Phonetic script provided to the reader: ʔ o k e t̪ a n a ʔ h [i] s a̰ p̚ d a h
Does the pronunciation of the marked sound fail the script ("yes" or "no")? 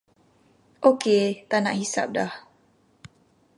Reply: no